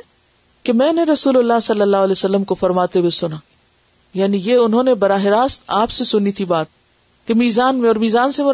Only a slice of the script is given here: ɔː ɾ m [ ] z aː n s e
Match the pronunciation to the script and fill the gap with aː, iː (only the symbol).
iː